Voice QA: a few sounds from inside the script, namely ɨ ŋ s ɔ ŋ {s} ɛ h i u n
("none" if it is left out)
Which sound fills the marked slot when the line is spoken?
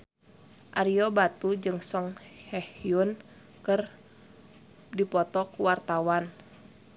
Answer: h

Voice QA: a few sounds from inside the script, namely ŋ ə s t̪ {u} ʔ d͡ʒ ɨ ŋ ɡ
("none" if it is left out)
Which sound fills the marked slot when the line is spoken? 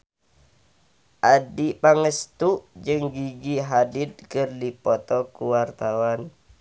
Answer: u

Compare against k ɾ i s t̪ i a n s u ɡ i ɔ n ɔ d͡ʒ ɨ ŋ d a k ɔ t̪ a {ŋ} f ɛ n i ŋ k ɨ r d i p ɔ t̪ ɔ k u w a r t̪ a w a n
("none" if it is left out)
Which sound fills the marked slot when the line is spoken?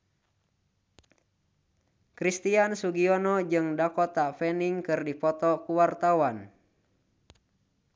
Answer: none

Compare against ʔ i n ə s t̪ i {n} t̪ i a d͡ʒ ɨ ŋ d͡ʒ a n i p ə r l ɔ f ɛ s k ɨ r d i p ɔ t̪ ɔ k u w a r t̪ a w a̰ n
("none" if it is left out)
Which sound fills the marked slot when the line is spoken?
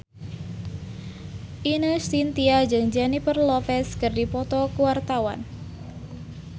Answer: n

